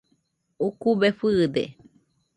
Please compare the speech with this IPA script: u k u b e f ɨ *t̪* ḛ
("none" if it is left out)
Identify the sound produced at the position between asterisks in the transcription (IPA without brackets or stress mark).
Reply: d̪